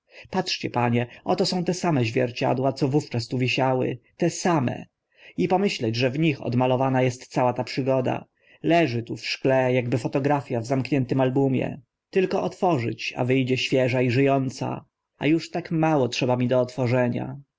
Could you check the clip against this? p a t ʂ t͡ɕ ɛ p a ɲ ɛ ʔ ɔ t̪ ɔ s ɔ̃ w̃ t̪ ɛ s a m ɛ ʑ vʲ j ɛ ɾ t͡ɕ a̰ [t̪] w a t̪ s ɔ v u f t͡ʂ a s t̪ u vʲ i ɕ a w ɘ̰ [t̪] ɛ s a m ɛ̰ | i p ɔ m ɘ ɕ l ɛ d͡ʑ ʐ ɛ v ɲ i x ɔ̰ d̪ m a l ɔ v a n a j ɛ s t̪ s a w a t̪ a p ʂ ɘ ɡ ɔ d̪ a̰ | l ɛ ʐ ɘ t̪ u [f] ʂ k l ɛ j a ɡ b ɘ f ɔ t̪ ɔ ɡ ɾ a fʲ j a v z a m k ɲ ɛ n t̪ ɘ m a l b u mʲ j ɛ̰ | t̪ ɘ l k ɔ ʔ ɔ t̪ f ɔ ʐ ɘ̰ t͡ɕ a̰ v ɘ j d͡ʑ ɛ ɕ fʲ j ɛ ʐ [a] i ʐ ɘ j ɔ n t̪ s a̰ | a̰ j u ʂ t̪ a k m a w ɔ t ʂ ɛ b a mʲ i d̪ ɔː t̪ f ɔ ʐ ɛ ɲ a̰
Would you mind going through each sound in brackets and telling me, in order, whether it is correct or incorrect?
incorrect: d̪, correct, correct, correct

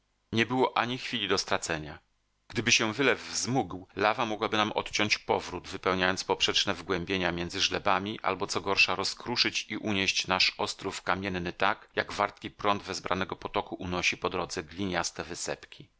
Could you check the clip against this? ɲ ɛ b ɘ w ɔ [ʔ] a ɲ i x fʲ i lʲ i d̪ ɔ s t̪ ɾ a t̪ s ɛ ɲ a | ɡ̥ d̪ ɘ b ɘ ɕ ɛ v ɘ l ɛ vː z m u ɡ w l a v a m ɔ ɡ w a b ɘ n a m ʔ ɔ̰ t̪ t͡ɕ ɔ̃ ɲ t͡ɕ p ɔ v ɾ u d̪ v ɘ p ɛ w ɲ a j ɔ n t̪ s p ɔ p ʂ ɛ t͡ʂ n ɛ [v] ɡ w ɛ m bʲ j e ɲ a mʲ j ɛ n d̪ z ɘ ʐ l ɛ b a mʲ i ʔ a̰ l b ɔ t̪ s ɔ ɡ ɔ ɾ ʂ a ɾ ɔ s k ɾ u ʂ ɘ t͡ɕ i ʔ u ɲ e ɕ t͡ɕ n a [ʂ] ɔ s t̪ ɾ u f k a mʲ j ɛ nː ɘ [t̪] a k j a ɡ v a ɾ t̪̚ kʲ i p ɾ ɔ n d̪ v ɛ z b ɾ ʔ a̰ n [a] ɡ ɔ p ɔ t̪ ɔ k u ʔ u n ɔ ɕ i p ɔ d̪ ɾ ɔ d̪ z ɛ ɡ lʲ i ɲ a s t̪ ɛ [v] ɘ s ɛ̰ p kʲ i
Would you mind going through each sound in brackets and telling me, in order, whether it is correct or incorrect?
correct, correct, correct, correct, incorrect: ɛ, correct

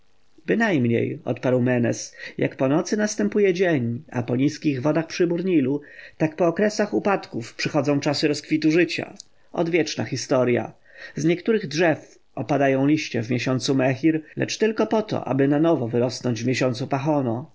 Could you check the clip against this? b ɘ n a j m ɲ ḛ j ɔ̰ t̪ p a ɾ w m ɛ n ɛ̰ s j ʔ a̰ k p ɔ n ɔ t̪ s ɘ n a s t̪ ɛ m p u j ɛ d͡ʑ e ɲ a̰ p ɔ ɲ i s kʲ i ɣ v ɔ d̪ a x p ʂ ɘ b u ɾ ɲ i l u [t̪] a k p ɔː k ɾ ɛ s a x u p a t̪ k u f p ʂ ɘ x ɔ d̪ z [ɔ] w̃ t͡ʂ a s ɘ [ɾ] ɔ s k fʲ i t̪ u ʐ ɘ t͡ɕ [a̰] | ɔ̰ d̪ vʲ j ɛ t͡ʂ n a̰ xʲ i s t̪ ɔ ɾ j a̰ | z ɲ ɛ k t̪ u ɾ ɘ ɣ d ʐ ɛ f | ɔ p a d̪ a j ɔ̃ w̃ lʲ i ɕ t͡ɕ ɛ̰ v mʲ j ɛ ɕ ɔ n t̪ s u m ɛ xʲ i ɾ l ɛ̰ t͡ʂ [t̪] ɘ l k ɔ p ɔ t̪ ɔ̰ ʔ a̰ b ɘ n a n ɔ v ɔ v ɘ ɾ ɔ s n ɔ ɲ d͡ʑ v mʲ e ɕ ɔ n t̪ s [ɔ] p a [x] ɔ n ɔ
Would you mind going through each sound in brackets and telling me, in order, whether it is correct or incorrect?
correct, incorrect: ɔ̃, correct, correct, correct, incorrect: u, correct

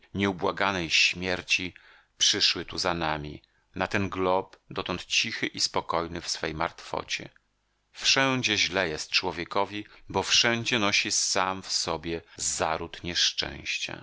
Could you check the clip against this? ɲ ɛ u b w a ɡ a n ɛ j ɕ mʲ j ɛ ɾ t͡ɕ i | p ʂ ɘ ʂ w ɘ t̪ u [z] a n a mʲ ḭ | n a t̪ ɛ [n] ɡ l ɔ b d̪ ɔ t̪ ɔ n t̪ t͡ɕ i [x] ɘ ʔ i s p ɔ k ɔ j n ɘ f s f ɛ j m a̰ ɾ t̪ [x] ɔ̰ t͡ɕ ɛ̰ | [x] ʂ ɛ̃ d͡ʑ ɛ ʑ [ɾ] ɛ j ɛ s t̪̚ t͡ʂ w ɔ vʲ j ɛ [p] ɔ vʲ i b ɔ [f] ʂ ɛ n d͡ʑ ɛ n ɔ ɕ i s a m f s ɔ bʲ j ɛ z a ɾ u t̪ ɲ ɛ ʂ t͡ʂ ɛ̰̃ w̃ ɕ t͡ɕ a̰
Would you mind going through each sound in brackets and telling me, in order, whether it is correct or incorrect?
correct, correct, correct, incorrect: f, incorrect: f, incorrect: l, incorrect: k, correct

